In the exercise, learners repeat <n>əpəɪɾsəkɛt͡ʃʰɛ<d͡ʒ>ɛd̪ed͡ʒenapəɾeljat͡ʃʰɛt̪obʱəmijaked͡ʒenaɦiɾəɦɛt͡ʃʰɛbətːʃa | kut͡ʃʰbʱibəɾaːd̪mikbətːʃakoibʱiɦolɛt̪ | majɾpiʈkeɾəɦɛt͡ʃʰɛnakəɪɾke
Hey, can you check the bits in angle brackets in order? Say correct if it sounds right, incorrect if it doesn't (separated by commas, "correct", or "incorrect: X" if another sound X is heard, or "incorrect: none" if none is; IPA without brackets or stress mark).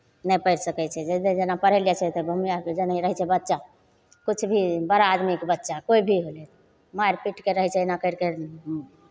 correct, correct